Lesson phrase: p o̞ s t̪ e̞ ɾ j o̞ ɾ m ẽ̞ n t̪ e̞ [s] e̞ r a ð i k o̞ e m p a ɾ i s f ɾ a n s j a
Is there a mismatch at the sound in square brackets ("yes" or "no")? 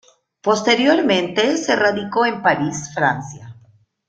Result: no